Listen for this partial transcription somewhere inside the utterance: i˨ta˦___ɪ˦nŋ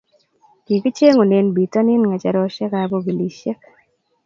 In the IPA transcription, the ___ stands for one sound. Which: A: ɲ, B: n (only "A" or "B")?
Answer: B